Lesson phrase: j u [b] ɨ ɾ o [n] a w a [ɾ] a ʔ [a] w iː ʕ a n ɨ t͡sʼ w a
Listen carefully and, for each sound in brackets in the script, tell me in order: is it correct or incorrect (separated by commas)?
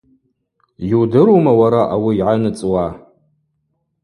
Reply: incorrect, incorrect, correct, correct